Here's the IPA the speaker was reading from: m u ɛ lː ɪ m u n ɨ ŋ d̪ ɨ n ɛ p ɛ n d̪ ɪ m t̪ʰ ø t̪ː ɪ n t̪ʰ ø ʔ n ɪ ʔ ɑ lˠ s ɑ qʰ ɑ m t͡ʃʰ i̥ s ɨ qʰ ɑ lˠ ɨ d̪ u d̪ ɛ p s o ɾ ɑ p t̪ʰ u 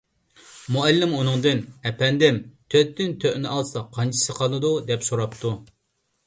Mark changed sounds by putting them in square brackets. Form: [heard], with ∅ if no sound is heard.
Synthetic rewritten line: m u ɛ lː ɪ m u n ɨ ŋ d̪ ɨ n ɛ p ɛ n d̪ ɪ m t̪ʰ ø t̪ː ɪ n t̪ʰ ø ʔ n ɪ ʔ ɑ lˠ s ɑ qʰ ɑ [n] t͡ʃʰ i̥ s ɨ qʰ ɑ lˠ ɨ d̪ u d̪ ɛ p s o ɾ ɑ p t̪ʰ u

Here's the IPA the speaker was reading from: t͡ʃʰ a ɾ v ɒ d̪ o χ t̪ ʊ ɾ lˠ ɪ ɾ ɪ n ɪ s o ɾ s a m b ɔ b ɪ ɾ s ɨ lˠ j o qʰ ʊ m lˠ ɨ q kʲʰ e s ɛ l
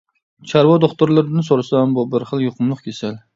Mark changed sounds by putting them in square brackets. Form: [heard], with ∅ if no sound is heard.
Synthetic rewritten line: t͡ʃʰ a ɾ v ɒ d̪ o χ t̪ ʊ ɾ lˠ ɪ ɾ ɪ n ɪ s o ɾ s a m b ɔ b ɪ ɾ [χ] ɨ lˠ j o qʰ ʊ m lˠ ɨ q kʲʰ e s [a] l

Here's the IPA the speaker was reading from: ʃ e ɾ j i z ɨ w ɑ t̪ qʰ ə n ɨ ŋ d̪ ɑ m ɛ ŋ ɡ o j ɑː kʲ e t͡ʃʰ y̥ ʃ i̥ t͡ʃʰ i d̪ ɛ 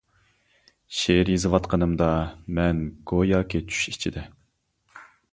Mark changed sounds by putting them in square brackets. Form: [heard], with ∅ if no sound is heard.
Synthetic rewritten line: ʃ e ɾ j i z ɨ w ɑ t̪ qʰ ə n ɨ [m] d̪ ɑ m ɛ [n] ɡ o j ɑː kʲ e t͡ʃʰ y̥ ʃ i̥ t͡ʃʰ i d̪ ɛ

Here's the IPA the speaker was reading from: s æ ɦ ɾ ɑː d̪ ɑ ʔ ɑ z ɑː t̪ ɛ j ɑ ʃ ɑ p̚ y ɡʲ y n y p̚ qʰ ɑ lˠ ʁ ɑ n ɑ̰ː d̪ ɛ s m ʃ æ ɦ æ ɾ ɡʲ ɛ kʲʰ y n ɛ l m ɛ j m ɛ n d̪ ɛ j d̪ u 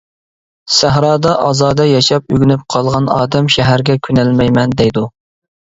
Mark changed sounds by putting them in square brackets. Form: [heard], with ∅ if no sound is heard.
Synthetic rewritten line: s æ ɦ ɾ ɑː d̪ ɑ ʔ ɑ z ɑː [d̪] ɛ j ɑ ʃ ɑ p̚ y ɡʲ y n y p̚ qʰ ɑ lˠ ʁ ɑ n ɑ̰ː d̪ ɛ [∅] m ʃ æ ɦ æ ɾ ɡʲ ɛ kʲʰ y n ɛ l m ɛ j m ɛ n d̪ ɛ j d̪ u

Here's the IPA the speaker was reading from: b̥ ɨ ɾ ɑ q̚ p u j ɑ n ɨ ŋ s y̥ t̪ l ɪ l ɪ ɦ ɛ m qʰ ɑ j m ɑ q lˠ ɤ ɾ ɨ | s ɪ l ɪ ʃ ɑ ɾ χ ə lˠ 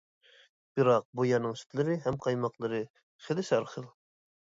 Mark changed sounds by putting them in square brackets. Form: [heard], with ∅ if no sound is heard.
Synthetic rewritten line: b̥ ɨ ɾ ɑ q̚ [b] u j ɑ n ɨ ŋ s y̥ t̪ l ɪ [ɾ] ɪ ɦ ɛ m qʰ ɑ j m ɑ q lˠ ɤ ɾ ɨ | [χ] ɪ l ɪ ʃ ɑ ɾ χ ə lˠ

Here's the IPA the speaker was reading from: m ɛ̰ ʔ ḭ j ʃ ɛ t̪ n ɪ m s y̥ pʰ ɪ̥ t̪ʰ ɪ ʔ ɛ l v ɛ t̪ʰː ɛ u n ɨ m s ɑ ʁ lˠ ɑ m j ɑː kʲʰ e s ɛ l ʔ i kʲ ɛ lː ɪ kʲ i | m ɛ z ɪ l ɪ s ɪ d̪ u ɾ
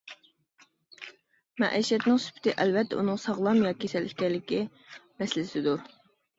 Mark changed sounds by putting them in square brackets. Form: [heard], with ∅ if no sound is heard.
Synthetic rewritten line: m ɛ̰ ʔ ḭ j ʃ ɛ t̪ n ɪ [ŋ] s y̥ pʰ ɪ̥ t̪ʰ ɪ ʔ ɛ l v ɛ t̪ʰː ɛ u n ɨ [ŋ] s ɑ ʁ lˠ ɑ m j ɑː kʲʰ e s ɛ l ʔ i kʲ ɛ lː ɪ kʲ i | m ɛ [s] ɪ l ɪ s ɪ d̪ u ɾ

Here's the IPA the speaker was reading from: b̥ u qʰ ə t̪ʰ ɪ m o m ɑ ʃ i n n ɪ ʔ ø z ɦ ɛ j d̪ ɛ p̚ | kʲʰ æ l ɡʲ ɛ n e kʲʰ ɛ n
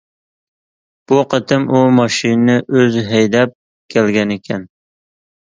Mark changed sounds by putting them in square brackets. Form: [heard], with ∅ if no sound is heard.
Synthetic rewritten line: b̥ u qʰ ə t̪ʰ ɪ m [u] m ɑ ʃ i n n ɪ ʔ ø z ɦ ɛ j d̪ ɛ p̚ | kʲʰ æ l ɡʲ ɛ n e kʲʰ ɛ n

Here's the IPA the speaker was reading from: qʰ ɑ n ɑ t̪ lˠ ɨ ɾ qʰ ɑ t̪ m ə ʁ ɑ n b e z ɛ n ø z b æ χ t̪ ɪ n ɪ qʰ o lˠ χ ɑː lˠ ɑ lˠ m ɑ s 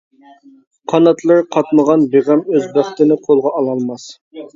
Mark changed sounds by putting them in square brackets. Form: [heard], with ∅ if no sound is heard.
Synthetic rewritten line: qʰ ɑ n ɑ t̪ lˠ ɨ ɾ qʰ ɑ t̪ m ə ʁ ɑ n b e [ʁ] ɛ [m] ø z b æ χ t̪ ɪ n ɪ qʰ o lˠ [ʁ] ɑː lˠ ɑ lˠ m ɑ s

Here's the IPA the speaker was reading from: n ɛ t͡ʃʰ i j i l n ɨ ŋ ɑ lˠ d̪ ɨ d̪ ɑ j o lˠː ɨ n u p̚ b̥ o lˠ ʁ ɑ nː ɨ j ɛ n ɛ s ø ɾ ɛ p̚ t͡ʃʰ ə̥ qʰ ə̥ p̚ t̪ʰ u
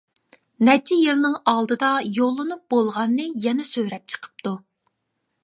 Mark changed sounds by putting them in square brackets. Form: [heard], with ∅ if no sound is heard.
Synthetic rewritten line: n ɛ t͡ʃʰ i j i l n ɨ ŋ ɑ lˠ d̪ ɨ d̪ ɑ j o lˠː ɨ n u p̚ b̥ o lˠ ʁ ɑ nː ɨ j ɛ n ɛ s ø ɾ ɛ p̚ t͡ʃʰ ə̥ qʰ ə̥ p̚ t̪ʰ u

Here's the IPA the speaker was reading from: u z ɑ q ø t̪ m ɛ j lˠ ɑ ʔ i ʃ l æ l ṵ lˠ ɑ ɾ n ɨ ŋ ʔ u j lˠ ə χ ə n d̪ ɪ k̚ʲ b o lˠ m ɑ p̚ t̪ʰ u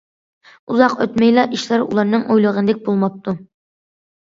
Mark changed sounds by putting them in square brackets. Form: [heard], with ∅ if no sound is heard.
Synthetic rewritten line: u z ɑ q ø t̪ m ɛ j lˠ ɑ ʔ i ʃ l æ [ɾ] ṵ lˠ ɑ ɾ n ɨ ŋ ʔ [o] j lˠ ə [ʁ] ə n d̪ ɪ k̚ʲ b o lˠ m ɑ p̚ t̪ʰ u

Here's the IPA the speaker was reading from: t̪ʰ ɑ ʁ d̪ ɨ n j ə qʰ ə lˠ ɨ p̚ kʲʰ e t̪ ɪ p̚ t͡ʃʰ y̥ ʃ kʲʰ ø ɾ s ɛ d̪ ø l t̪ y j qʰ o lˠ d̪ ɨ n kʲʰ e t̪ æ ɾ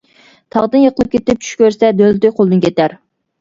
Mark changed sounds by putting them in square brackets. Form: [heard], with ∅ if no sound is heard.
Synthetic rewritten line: t̪ʰ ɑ ʁ d̪ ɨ n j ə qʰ ə lˠ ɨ p̚ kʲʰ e t̪ ɪ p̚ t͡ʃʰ y̥ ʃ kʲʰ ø ɾ s ɛ d̪ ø l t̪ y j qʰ o lˠ d̪ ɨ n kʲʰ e t̪ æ ɾ

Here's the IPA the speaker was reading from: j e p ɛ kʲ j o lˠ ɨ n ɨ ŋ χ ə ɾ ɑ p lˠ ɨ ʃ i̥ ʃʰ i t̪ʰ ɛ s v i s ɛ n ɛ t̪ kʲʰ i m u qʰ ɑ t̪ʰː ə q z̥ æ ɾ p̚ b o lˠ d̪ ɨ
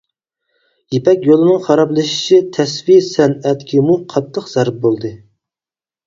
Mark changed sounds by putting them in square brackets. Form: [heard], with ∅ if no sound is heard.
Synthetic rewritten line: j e p ɛ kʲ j o lˠ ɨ n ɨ ŋ χ [ɑ] ɾ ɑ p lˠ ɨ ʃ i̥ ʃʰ i t̪ʰ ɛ s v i s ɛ n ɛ t̪ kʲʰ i m u qʰ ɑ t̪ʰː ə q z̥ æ ɾ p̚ b o lˠ d̪ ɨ

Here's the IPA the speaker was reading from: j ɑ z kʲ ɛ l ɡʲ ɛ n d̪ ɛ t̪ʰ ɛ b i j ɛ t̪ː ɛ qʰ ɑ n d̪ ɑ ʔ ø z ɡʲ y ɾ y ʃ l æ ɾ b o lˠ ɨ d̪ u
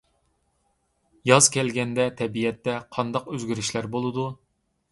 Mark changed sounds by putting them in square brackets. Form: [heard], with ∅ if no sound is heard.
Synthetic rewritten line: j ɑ z kʲ ɛ l ɡʲ ɛ n d̪ ɛ t̪ʰ ɛ b i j ɛ t̪ː ɛ qʰ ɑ n d̪ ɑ [q] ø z ɡʲ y ɾ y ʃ l æ ɾ b o lˠ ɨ d̪ u

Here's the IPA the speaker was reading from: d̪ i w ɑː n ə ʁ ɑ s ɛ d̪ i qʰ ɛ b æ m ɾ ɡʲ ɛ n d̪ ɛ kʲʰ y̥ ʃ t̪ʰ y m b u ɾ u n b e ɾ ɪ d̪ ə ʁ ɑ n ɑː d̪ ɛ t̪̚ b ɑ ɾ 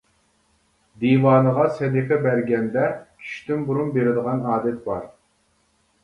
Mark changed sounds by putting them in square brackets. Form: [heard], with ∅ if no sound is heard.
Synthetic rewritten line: d̪ i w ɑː n ə ʁ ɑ s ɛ d̪ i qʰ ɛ b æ [∅] ɾ ɡʲ ɛ n d̪ ɛ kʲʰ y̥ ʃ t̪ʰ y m b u ɾ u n b e ɾ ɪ d̪ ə ʁ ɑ n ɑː d̪ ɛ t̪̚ b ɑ ɾ

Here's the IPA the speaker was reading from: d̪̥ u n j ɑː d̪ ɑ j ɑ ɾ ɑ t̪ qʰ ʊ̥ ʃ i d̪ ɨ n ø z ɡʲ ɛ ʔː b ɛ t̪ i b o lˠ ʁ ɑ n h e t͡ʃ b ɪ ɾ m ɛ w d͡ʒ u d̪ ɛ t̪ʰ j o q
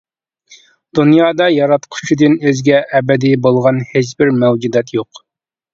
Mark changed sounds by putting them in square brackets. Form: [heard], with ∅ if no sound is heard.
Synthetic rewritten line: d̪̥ u n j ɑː d̪ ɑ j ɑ ɾ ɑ t̪ qʰ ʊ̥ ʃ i d̪ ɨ n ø z ɡʲ ɛ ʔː b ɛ [d̪] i b o lˠ ʁ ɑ n h e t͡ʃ b ɪ ɾ m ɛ w d͡ʒ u d̪ ɛ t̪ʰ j o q

